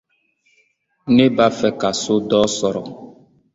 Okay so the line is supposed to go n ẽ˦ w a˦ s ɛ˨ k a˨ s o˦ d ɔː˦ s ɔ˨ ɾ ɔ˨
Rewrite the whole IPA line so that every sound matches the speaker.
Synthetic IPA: n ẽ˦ b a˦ f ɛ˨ k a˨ s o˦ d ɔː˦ s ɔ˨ ɾ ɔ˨